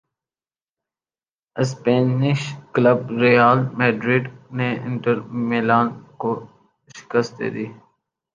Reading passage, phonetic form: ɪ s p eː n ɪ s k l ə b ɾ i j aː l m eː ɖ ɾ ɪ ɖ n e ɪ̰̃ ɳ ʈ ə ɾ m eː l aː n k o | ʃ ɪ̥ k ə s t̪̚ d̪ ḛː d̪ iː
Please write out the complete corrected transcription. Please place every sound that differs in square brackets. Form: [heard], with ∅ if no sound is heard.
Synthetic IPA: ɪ s p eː n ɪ [ʃ] k l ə b ɾ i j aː l m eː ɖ ɾ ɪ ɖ n e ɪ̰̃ ɳ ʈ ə ɾ m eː l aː n k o | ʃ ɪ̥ k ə s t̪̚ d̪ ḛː d̪ iː